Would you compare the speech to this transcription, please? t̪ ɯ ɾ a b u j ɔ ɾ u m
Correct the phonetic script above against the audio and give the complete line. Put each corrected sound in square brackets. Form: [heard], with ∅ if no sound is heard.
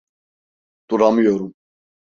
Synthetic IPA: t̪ [u] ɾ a [m] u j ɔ ɾ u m